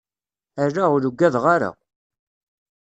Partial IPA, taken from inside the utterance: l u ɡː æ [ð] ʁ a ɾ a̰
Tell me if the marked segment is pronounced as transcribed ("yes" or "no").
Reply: yes